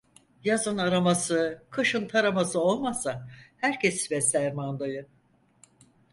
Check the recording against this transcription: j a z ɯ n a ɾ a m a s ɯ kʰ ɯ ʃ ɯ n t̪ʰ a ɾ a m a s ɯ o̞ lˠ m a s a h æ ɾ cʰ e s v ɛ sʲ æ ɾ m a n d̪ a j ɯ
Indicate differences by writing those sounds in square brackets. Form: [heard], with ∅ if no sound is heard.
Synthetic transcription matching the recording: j a z ɯ n a ɾ a m a s ɯ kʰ ɯ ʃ ɯ n t̪ʰ a ɾ a m a s ɯ o̞ lˠ m a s a h æ ɾ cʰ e s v ɛ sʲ æ ɾ m a n d̪ a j ɯ